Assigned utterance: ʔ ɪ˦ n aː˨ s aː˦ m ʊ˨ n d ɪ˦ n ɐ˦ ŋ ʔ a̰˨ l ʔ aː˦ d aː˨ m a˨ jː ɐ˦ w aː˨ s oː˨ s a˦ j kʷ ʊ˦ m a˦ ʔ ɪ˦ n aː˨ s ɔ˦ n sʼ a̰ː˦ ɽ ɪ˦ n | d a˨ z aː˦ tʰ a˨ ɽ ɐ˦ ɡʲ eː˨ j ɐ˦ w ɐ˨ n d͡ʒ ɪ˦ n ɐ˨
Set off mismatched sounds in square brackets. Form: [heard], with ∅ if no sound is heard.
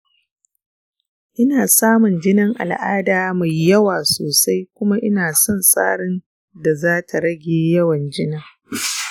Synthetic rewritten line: ʔ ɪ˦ n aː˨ s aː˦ m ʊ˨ n [d͡ʒ] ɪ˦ n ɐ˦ ŋ ʔ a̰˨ l ʔ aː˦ d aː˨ m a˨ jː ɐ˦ w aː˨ s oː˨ s a˦ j kʷ ʊ˦ m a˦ ʔ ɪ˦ n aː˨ s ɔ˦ n sʼ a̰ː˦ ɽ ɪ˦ n | d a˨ z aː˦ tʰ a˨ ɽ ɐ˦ ɡʲ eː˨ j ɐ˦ w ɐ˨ n d͡ʒ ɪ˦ n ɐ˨